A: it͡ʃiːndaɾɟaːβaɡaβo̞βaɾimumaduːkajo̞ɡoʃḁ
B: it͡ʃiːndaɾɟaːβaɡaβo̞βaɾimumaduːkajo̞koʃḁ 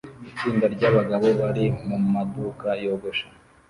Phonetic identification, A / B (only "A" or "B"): A